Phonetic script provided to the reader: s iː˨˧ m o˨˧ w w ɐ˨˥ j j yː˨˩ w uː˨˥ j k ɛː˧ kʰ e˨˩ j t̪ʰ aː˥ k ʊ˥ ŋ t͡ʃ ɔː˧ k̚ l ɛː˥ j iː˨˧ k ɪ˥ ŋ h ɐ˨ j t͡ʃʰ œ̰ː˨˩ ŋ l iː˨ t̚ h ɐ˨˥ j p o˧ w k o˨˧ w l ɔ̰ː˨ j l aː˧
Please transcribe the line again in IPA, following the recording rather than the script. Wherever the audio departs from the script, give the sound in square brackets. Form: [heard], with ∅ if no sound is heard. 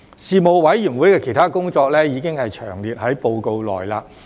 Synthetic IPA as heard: s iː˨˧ m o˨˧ w w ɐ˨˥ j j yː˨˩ w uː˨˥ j k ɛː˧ kʰ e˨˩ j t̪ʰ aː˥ k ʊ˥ ŋ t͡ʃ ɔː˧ k̚ l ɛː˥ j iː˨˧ k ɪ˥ ŋ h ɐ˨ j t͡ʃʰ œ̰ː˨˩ ŋ l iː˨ t̚ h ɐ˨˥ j p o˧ w k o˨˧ w l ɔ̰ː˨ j l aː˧